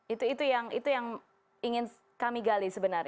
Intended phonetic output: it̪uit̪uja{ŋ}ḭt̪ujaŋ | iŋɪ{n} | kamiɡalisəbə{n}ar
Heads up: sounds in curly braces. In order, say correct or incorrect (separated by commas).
correct, correct, correct